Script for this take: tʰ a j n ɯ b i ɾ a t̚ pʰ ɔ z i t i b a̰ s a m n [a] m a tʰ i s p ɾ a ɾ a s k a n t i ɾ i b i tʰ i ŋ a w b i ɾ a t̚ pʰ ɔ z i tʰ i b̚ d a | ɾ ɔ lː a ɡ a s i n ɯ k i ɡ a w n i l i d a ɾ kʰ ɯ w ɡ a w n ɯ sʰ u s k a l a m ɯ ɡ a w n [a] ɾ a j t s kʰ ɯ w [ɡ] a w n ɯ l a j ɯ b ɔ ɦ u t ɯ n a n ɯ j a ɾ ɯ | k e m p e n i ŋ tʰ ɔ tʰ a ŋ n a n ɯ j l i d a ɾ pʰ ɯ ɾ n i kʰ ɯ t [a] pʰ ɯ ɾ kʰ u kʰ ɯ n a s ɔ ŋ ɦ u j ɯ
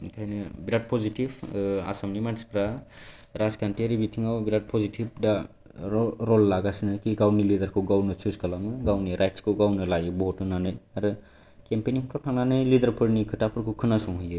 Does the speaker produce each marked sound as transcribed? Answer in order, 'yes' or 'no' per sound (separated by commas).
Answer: no, no, yes, yes